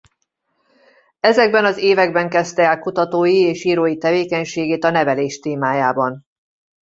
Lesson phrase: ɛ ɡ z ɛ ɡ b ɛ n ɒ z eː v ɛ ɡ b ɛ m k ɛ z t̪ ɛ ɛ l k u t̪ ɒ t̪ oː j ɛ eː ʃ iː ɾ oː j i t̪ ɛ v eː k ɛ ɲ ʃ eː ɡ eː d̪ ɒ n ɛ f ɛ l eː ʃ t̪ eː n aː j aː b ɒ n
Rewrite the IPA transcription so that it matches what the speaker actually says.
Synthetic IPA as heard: ɛ z ɛ ɡ b ɛ n ɒ z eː v ɛ ɡ b ɛ ŋ k ɛ s t̪ ɛ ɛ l k u t̪ ɒ t̪ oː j i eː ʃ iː ɾ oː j i t̪ ɛ v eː k ɛ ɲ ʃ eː ɡ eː t̪ ɒ n ɛ v ɛ l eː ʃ t̪ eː m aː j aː b ɒ n